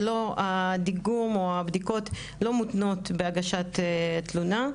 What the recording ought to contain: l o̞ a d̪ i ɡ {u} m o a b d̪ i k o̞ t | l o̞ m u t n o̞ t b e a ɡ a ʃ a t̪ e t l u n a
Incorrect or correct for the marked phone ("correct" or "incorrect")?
correct